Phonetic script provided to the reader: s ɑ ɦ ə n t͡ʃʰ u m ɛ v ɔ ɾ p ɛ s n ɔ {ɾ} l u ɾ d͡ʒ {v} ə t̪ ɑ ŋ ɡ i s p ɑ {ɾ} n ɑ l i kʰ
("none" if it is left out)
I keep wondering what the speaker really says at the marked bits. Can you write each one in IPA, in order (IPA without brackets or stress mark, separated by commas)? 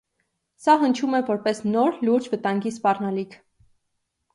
ɾ, v, r